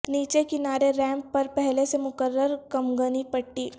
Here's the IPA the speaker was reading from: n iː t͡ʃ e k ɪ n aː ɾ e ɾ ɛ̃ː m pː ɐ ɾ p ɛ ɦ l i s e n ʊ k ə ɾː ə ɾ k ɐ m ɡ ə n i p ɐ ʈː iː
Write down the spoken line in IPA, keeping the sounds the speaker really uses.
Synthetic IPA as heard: n iː t͡ʃ e k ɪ n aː ɾ e ɾ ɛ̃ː m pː ɐ ɾ p ɛ ɦ l e s e m ʊ k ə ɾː ə ɾ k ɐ m ɡ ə n i p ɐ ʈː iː